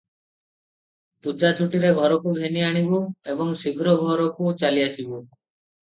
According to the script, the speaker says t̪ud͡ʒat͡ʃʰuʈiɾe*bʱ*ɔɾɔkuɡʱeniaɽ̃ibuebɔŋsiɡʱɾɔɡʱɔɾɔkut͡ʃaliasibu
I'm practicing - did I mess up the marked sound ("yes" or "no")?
yes